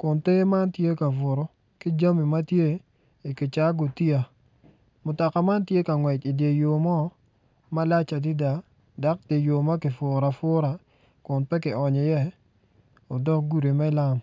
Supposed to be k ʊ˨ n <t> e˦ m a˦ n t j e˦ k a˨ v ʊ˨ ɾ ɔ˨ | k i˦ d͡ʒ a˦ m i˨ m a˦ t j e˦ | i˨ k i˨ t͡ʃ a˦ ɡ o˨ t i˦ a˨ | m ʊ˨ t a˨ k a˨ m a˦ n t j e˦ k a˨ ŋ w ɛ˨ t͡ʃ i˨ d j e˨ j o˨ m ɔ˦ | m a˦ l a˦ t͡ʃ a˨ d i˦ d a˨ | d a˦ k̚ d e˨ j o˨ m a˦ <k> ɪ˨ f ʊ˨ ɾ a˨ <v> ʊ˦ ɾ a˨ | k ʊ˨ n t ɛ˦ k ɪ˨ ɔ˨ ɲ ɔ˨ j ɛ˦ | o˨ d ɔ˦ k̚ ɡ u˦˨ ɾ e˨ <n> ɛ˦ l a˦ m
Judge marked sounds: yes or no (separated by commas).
yes, yes, no, no